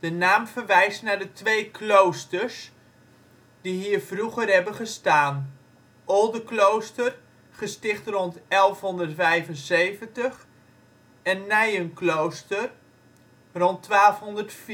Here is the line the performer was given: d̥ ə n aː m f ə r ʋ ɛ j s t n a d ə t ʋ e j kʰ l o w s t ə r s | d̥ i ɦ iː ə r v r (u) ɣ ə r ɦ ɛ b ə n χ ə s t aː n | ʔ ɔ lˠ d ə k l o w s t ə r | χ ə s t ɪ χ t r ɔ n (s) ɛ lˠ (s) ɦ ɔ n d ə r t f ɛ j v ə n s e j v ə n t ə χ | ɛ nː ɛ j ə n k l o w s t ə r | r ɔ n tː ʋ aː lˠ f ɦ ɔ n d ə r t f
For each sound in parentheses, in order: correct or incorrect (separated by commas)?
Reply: correct, incorrect, incorrect